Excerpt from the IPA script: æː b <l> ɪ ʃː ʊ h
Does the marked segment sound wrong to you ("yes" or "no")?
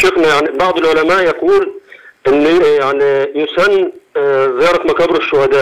yes